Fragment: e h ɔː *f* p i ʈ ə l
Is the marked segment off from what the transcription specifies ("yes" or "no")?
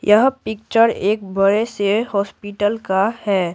yes